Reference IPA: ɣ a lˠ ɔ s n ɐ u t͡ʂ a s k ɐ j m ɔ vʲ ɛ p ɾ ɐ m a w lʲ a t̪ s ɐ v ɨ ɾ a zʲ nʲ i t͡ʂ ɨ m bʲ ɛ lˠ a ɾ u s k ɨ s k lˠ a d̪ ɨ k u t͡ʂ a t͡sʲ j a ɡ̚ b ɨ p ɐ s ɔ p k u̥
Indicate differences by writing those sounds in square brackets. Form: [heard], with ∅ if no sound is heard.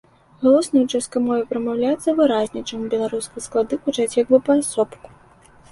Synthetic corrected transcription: ɣ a lˠ ɔ s n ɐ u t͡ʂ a s k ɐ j m ɔ vʲ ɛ p ɾ ɐ m a w lʲ a t̪ s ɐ v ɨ ɾ a zʲ nʲ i t͡ʂ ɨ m bʲ ɛ lˠ a ɾ u s k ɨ s k lˠ a d̪ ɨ k u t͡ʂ a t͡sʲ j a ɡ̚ b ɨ p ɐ s ɔ p k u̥